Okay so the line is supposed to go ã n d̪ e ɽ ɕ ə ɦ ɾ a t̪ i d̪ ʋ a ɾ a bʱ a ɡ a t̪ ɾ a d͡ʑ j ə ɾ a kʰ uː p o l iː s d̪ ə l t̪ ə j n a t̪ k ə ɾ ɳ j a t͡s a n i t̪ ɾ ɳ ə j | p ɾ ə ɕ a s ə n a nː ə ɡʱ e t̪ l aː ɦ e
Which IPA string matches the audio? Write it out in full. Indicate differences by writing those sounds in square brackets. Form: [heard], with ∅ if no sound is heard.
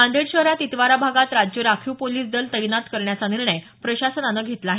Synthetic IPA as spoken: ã n d̪ e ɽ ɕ ə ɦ ɾ a t̪ i [t̪] ʋ a ɾ a bʱ a ɡ a t̪ ɾ a d͡ʑ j ə ɾ a kʰ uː p o l iː s d̪ ə l t̪ ə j n a t̪ k ə ɾ ɳ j a t͡s a n i [∅] ɾ ɳ ə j | p ɾ ə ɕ a s ə n a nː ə ɡʱ e t̪ l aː ɦ e